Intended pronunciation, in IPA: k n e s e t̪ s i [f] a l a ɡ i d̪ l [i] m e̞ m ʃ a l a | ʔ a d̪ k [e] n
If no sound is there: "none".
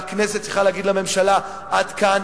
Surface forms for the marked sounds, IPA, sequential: χ, a, a

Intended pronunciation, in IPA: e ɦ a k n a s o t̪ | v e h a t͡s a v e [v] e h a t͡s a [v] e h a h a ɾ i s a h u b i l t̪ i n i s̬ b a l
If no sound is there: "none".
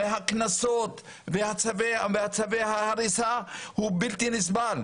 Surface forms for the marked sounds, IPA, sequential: v, v

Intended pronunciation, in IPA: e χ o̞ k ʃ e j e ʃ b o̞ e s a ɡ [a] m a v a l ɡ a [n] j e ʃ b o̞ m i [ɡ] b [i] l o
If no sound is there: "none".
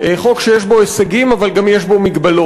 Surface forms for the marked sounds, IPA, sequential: i, m, ɡ, a

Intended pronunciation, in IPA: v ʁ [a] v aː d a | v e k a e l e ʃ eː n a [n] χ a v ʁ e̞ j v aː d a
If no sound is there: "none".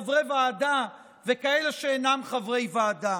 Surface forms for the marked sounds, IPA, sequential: e, m

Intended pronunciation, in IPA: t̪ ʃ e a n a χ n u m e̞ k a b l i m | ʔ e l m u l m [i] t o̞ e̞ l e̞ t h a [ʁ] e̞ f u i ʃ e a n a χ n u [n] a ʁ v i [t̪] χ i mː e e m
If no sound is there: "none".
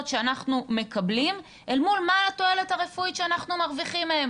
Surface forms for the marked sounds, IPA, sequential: a, ʁ, m, none

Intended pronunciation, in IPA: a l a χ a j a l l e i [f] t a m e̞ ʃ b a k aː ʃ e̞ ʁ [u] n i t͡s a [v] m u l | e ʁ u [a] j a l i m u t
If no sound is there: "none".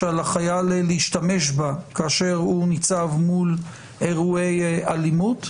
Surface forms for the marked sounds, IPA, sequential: ʃ, u, v, e

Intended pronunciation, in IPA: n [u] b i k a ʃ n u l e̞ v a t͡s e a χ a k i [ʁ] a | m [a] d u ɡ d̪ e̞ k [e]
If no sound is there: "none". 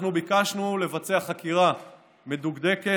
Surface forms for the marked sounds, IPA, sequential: u, ʁ, e, e

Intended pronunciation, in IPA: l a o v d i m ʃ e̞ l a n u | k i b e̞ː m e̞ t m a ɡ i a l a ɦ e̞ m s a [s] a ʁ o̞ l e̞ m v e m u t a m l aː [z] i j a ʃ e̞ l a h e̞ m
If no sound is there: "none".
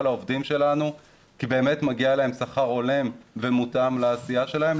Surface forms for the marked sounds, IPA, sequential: χ, s

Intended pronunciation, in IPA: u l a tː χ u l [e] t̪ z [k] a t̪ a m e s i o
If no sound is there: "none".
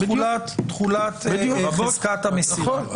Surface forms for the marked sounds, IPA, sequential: a, k

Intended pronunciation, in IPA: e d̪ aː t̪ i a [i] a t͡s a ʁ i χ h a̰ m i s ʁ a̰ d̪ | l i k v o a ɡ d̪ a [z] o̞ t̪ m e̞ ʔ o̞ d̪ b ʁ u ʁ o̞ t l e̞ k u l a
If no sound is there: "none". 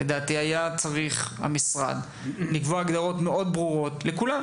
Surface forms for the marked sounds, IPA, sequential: j, ʁ

